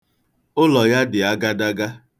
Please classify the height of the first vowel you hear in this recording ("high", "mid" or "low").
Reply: high